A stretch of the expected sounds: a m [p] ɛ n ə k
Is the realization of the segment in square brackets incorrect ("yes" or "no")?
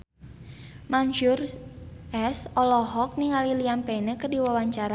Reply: no